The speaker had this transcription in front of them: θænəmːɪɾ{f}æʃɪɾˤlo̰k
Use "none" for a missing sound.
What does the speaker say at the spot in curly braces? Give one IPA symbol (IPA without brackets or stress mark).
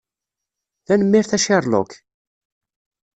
θ